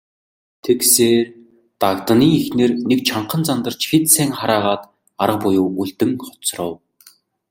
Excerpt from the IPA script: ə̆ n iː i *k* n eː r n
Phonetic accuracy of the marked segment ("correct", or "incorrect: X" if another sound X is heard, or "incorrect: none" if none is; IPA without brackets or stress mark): incorrect: x